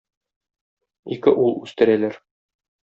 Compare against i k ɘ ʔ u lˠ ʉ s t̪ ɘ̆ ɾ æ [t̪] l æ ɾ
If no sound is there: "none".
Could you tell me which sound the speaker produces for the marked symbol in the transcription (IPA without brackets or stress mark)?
none